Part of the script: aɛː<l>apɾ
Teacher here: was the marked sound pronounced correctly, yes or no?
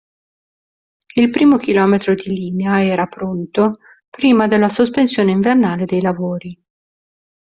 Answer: no